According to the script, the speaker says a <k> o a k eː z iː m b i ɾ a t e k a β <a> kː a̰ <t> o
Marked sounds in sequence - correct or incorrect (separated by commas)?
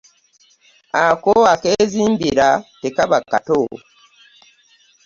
correct, correct, correct